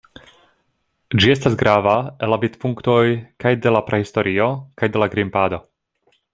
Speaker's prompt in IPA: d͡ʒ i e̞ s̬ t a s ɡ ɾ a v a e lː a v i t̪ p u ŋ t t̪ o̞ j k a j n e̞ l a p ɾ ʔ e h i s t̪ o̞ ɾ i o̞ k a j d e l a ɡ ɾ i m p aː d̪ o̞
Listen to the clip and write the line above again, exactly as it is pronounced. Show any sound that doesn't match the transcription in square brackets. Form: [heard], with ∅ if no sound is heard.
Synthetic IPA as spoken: d͡ʒ i e̞ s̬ t a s ɡ ɾ a v a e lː a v i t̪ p u ŋ [k] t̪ o̞ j k a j [d] e̞ l a p ɾ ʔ e h i s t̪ o̞ ɾ i o̞ k a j d e l a ɡ ɾ i m p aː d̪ o̞